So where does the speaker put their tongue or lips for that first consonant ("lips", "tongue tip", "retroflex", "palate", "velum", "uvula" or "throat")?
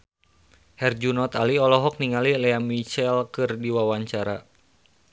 throat